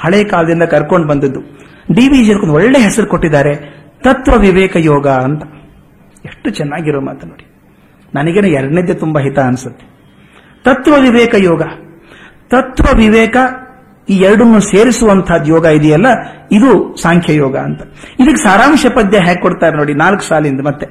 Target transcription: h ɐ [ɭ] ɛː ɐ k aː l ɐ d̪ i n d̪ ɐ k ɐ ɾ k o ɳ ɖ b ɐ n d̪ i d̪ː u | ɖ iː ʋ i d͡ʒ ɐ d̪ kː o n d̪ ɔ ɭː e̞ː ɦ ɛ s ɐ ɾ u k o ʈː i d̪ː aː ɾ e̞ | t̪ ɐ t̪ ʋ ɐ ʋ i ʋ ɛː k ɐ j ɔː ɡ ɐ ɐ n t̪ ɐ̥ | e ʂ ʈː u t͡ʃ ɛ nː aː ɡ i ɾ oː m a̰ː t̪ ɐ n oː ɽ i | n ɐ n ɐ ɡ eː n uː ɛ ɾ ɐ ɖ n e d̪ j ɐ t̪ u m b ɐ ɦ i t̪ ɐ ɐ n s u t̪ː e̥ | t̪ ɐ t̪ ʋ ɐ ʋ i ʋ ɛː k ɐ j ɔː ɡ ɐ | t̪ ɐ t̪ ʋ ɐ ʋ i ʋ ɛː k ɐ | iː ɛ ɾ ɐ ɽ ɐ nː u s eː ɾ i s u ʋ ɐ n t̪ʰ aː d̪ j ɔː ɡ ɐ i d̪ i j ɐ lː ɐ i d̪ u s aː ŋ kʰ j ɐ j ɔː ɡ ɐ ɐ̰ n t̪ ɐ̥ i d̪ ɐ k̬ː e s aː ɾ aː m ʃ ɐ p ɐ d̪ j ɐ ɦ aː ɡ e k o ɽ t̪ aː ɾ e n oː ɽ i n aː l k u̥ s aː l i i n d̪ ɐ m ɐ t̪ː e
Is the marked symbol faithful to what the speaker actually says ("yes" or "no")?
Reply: yes